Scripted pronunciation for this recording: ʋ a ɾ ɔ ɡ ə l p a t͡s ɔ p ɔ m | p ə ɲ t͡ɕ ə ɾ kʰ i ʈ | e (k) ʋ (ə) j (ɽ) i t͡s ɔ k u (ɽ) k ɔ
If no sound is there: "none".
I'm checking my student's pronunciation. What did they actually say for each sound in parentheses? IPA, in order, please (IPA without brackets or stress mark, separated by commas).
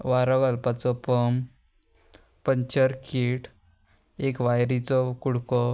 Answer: k, a, ɾ, ɽ